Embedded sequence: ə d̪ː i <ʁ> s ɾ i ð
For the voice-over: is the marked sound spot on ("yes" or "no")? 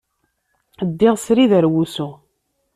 yes